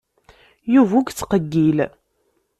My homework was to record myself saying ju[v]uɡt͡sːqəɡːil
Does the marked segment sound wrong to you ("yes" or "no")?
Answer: no